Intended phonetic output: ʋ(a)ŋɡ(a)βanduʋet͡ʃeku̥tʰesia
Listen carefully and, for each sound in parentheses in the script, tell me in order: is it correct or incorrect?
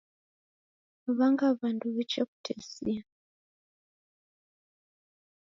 correct, correct

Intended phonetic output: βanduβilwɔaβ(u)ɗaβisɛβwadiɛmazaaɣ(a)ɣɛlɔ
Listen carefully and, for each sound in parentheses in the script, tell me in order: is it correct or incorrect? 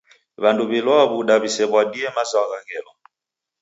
correct, correct

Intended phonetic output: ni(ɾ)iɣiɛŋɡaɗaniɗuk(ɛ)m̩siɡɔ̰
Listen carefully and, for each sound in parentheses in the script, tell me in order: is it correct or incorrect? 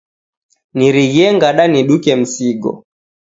correct, correct

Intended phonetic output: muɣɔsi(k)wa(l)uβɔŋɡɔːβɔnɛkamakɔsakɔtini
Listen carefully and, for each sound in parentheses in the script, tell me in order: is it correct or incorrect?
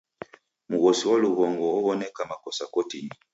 incorrect: none, correct

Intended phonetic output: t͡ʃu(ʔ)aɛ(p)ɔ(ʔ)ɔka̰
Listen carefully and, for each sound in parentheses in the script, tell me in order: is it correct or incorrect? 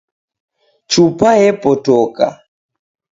incorrect: p, correct, incorrect: t

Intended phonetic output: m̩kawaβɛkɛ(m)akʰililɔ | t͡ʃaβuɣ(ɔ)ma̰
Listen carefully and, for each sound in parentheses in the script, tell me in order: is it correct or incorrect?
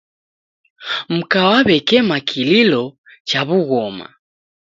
correct, correct

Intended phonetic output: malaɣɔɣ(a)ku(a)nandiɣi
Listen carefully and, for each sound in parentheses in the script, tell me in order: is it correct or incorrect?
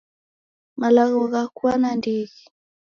correct, correct

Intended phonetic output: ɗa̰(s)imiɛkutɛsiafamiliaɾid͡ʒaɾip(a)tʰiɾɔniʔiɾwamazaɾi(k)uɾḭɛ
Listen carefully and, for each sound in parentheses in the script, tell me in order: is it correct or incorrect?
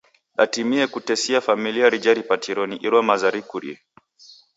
incorrect: t, correct, correct

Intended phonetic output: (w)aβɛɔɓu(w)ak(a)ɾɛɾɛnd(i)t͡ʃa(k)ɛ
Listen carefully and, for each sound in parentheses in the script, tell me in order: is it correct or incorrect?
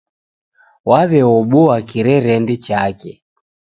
correct, correct, incorrect: i, correct, correct

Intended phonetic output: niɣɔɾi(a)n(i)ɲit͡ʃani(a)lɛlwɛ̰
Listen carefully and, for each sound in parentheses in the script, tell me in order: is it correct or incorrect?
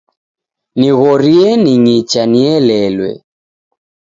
incorrect: ɛ, correct, incorrect: ɛ

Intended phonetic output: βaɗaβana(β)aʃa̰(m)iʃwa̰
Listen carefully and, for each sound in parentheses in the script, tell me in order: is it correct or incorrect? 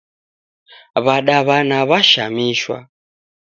correct, correct

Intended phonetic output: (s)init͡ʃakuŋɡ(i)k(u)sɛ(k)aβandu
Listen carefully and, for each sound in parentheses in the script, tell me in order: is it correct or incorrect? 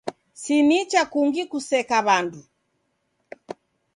correct, correct, correct, correct

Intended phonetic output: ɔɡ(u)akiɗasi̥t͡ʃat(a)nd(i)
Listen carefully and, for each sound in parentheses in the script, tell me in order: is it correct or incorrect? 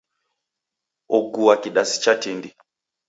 correct, incorrect: i, correct

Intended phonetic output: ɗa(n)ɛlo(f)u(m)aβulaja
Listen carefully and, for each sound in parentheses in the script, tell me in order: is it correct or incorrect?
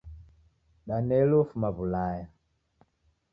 correct, correct, correct

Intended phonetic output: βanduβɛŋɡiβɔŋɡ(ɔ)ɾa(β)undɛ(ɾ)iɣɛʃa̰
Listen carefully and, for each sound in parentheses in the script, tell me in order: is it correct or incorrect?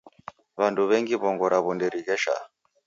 correct, correct, correct

